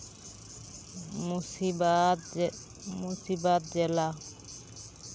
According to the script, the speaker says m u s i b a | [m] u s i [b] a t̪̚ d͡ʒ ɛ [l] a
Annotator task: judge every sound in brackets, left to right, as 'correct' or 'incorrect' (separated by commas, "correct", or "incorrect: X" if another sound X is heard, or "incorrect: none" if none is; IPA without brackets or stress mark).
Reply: correct, correct, correct